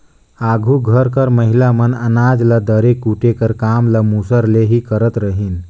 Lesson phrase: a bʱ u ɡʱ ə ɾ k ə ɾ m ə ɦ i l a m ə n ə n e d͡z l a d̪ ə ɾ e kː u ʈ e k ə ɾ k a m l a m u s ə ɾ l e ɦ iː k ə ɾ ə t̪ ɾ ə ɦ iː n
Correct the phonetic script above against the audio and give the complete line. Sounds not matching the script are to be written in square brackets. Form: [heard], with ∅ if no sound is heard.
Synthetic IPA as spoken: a [ɡʱ] u ɡʱ ə ɾ k ə ɾ m ə ɦ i l a m ə n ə n [a] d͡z l a d̪ ə ɾ e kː u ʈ e k ə ɾ k a m l a m u s ə ɾ l e ɦ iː k ə ɾ ə t̪ ɾ ə ɦ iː n